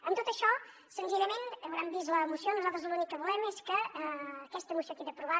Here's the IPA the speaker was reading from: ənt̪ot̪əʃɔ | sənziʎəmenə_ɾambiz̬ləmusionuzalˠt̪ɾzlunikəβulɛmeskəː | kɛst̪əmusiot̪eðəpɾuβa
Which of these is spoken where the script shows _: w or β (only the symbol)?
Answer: w